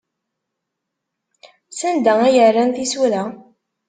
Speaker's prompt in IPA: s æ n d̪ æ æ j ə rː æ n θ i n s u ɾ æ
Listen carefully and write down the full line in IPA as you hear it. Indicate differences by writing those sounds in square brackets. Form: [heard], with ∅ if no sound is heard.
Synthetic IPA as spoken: s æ n d̪ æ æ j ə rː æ n θ i [∅] s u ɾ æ